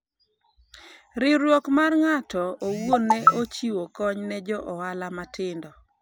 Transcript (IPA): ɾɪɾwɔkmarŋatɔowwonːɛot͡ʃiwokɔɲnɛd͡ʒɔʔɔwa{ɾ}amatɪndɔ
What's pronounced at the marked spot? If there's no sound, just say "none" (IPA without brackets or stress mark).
l